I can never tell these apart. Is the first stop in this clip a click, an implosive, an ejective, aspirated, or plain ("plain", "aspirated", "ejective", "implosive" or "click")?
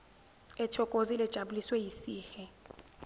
aspirated